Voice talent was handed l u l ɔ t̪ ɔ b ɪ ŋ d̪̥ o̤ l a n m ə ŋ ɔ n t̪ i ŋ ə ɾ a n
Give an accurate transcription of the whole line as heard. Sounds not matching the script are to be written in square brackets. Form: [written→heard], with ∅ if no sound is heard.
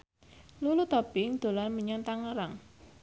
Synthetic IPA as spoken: l u l [ɔ→u] t̪ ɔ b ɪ ŋ d̪̥ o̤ l a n m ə [ŋ→ɲ] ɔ n t̪ [i→a] ŋ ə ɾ a [n→ŋ]